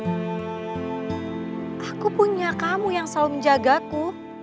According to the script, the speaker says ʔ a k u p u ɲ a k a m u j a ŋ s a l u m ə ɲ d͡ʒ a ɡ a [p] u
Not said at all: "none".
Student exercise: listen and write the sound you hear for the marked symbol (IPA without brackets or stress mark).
k